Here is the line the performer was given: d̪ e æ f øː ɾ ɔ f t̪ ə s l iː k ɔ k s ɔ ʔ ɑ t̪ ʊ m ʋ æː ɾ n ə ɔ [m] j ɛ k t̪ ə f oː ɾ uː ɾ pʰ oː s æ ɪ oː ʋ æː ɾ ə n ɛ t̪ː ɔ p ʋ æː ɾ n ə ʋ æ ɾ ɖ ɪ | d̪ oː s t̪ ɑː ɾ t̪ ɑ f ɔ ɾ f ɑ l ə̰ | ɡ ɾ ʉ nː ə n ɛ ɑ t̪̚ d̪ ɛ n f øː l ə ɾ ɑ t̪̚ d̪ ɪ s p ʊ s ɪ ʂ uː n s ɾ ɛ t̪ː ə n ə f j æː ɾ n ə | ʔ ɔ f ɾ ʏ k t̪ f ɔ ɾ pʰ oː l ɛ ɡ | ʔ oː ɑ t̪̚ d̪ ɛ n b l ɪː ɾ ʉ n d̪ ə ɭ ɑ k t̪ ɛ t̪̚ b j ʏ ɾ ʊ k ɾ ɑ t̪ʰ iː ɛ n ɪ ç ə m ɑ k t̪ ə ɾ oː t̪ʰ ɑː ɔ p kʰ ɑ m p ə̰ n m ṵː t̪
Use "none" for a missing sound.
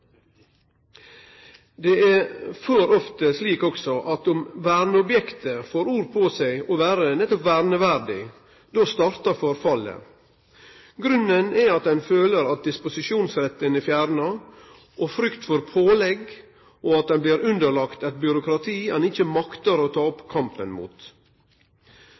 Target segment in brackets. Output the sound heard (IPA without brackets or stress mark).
b